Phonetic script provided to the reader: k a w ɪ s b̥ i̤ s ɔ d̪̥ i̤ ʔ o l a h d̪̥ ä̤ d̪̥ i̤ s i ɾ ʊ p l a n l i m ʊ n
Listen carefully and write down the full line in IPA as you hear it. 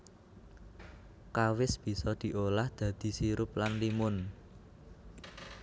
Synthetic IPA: k a w ɪ s b̥ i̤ s ɔ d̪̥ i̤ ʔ o l a h d̪̥ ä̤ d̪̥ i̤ s i ɾ ʊ p l a n l i m ʊ n